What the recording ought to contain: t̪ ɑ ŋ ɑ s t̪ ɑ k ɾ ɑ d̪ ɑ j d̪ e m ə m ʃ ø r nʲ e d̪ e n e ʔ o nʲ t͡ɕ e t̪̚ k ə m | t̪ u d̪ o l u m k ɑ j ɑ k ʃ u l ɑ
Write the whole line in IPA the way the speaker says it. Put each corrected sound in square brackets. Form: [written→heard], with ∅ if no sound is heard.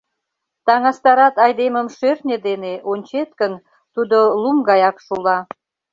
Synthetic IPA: t̪ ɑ ŋ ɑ s t̪ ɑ [k→∅] ɾ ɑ [d̪→t̪] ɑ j d̪ e m ə m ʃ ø r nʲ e d̪ e n e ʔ o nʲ t͡ɕ e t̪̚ k ə [m→n] | t̪ u d̪ o l u m [k→ɡ] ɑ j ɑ k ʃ u l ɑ

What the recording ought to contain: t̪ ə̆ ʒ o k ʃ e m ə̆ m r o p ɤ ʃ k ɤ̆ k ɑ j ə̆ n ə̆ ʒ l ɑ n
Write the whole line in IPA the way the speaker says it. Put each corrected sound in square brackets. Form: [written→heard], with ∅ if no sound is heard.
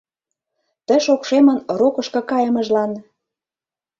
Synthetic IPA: t̪ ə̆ [ʒ→ʃ] o k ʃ e m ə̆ [m→n] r o [p→k] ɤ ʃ k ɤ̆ k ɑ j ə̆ [n→m] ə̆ ʒ l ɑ n

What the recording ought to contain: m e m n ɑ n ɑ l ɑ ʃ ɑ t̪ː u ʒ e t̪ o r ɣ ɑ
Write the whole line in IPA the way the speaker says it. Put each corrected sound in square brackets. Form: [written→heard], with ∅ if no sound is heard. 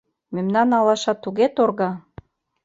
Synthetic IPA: m e m n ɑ n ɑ l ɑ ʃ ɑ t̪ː u [ʒ→ɣ] e t̪ o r ɣ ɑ

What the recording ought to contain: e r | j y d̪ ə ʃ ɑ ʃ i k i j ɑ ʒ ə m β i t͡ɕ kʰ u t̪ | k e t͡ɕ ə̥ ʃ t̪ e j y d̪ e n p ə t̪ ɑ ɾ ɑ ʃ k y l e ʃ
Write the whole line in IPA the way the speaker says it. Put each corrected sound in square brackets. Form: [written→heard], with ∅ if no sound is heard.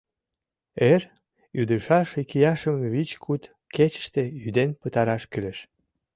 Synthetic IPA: e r | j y d̪ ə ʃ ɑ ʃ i k i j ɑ [ʒ→ʃ] ə m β i t͡ɕ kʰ u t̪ | k e t͡ɕ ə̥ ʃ t̪ e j y d̪ e n p ə t̪ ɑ ɾ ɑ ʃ k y l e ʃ

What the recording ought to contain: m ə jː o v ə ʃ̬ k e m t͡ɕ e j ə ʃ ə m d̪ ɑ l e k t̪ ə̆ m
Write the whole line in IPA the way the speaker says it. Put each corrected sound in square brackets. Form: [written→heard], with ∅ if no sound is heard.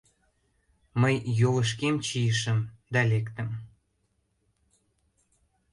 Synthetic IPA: m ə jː o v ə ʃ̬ k e m t͡ɕ [e→i] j ə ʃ ə m d̪ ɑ l e k t̪ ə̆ m

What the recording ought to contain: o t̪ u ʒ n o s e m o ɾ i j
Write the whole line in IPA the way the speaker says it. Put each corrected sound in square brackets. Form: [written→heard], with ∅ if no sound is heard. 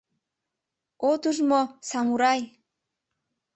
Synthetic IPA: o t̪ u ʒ [n→m] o s [e→a] m [o→u] ɾ [i→a] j

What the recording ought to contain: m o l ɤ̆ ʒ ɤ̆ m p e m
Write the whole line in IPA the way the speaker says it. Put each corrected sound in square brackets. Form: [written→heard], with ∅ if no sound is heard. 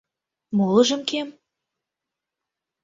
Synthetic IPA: m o l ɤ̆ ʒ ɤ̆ m [p→k] e m

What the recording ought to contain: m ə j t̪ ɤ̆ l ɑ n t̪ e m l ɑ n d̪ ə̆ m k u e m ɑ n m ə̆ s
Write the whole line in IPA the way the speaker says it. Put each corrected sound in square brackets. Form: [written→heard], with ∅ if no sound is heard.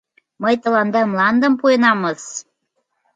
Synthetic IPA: m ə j t̪ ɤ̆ l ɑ n [t̪→d̪] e m l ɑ n d̪ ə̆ m [k→p] u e [m→n] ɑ [n→∅] m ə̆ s

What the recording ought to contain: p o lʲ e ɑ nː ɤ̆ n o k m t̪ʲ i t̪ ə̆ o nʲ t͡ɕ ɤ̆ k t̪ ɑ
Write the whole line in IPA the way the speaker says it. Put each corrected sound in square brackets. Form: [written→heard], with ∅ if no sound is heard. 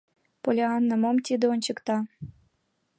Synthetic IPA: p o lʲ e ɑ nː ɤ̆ [n→m] o [k→∅] m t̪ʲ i [t̪→d̪] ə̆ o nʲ t͡ɕ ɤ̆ k t̪ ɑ

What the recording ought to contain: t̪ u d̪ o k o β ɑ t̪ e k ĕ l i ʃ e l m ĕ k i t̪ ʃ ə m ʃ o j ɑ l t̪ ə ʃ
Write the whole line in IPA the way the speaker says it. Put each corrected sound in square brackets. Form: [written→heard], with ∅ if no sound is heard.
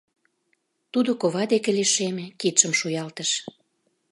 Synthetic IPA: t̪ u d̪ o k o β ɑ [t̪→d̪] e k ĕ l i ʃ e [l→∅] m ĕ k i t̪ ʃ ə m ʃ [o→u] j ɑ l t̪ ə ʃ

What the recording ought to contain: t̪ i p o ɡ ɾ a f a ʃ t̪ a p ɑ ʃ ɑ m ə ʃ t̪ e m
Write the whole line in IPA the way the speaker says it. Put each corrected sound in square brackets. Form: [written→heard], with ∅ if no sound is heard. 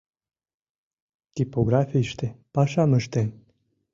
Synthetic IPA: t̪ i p o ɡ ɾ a f [a→i] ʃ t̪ [a→e] p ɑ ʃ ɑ m ə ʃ t̪ e [m→n]

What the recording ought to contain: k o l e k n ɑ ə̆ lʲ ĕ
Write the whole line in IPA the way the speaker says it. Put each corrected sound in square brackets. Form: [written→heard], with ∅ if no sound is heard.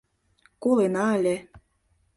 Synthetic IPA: k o l e [k→∅] n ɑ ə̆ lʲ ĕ

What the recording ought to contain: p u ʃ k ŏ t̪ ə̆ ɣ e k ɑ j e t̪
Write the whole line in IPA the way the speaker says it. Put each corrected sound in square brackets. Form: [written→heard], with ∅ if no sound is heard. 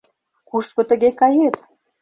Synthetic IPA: [p→k] u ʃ k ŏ t̪ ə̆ ɣ e k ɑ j e t̪

